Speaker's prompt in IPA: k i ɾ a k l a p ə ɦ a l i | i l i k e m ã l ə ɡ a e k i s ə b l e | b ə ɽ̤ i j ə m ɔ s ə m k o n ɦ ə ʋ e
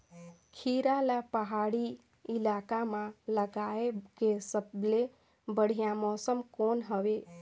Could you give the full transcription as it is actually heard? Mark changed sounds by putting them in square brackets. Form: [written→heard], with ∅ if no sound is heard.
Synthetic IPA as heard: [k→kʰ] i ɾ a [k→∅] l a p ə ɦ a [l→ɽ] i | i l [i→a] k [e→a] m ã l ə ɡ a e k [i→e] s ə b l e | b ə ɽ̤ i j [ə→a] m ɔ s ə m k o n ɦ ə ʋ e